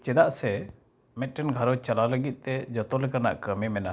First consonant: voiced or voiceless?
voiceless